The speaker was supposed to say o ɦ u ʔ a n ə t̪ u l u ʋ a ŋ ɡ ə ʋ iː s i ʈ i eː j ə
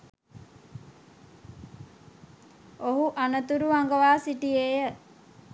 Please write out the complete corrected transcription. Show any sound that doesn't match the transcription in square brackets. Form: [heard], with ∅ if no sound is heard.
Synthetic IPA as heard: o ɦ u ʔ a n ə t̪ u [ɾ] u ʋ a ŋ ɡ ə ʋ [aː] s i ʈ i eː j ə